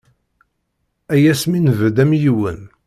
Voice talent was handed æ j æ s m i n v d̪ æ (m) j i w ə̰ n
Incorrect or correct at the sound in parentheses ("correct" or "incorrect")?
correct